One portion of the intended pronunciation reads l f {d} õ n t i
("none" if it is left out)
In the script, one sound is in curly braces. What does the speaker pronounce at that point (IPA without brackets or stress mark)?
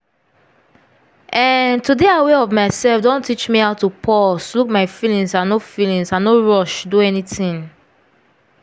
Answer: d